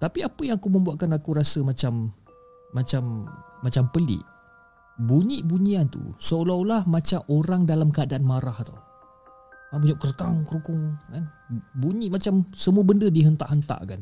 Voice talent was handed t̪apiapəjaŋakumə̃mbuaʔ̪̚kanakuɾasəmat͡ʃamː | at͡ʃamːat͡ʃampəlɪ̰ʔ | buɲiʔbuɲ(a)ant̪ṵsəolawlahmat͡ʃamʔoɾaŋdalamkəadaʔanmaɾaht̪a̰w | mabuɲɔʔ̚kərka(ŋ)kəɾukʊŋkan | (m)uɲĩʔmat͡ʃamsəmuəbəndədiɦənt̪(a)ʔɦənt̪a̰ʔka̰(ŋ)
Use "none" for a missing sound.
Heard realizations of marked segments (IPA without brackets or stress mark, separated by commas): i, ŋ, b, a, n